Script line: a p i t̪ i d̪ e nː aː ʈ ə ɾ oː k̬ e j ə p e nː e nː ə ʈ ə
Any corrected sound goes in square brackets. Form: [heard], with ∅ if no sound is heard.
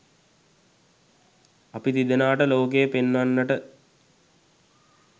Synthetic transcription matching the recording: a p i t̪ i d̪ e [n] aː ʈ ə [l] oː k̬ e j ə p e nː [a] nː ə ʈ ə